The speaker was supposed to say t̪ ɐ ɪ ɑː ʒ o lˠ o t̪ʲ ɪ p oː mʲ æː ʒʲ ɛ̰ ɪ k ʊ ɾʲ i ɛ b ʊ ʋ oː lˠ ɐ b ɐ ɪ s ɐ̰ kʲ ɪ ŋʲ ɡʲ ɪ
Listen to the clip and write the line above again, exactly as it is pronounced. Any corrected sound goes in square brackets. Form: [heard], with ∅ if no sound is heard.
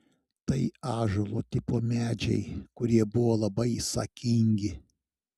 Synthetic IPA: t̪ ɐ ɪ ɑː ʒ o lˠ o t̪ʲ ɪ p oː mʲ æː [d͡ʒʲ] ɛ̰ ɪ k ʊ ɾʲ i ɛ b ʊ ʋ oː lˠ ɐ b ɐ ɪ s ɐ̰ kʲ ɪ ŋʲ ɡʲ ɪ

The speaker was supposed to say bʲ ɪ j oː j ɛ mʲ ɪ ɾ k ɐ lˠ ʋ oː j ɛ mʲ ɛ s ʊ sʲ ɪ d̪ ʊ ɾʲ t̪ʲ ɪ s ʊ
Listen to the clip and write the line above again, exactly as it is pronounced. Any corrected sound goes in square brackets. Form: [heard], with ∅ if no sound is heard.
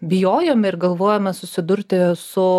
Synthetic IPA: bʲ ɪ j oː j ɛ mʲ ɪ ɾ [ɡ] ɐ lˠ ʋ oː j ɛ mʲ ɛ s ʊ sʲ ɪ d̪ ʊ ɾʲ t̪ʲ ɪ s ʊ

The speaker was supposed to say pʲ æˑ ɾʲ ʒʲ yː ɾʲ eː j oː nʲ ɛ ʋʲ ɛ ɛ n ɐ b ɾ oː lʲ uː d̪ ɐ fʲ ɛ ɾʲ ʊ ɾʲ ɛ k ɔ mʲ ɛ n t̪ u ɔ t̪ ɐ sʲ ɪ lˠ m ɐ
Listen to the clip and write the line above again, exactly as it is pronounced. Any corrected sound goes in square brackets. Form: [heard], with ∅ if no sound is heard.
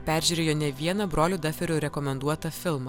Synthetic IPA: pʲ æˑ ɾʲ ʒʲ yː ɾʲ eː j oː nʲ ɛ ʋʲ [i] ɛ n ɐ b ɾ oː lʲ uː d̪ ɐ fʲ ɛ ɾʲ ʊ ɾʲ ɛ k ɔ mʲ ɛ n [d̪] u ɔ t̪ ɐ [fʲ] ɪ lˠ m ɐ

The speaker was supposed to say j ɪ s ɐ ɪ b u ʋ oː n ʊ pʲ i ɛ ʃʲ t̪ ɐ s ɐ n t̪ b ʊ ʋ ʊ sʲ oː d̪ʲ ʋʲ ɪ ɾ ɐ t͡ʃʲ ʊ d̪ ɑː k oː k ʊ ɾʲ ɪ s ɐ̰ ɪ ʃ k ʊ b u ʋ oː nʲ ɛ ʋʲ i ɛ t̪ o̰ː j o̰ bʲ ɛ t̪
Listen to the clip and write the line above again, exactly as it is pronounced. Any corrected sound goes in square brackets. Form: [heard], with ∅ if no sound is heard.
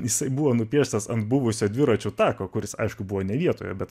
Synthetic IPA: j ɪ s ɐ ɪ b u ʋ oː n ʊ pʲ i ɛ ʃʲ t̪ ɐ s ɐ n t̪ b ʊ ʋ ʊ sʲ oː d̪ʲ ʋʲ ɪ ɾ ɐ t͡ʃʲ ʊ [t̪] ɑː k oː k ʊ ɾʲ ɪ s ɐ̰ ɪ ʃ k ʊ b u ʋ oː nʲ ɛ ʋʲ i ɛ t̪ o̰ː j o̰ bʲ ɛ t̪

